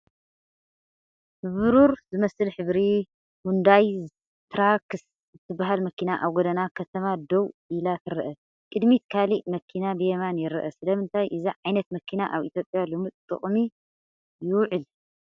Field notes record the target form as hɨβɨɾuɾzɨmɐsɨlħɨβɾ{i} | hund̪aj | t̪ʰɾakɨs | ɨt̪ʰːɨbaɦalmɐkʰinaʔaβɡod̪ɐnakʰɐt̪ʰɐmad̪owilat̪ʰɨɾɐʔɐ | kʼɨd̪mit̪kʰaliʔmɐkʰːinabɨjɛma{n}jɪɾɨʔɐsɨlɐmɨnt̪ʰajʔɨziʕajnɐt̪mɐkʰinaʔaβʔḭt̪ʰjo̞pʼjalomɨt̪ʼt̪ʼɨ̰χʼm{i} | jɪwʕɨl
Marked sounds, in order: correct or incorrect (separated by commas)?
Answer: correct, correct, correct